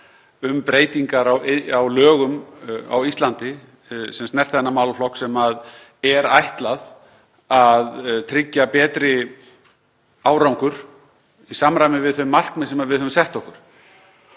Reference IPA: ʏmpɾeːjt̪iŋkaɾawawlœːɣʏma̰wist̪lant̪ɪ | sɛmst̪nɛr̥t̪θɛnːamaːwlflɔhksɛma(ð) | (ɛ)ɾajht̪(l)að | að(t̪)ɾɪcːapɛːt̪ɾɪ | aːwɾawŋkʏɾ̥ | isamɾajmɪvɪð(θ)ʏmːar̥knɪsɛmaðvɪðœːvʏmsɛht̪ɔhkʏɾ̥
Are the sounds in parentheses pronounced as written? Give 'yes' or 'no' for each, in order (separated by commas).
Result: yes, yes, yes, no, yes